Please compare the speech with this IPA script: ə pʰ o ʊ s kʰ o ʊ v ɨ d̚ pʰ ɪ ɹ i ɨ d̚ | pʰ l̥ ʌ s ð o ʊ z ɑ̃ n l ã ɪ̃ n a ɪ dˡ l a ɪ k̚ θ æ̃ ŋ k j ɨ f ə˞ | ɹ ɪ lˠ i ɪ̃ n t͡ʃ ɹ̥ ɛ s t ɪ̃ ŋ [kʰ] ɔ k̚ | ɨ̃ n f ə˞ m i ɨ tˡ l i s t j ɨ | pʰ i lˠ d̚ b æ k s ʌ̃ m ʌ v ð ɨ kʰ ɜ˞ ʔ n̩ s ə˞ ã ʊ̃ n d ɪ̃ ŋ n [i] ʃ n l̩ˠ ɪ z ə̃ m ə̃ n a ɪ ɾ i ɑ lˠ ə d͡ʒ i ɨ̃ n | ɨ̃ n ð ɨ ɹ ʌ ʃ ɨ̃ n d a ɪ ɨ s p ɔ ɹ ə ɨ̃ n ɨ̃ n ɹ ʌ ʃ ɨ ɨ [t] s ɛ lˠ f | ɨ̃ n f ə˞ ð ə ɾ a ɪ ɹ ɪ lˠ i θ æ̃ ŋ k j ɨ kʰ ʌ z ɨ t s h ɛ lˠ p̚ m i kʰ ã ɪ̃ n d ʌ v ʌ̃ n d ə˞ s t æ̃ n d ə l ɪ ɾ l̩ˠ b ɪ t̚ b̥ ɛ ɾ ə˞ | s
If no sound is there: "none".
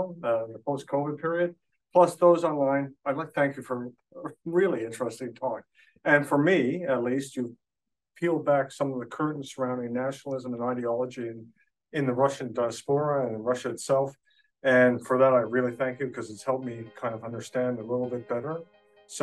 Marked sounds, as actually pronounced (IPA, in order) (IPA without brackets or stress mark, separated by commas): tʰ, æ, t